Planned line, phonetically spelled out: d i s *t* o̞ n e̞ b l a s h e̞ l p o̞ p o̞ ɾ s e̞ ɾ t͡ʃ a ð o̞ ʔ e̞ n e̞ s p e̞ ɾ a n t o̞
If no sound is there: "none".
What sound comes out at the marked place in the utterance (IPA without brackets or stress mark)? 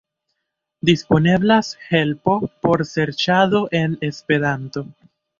p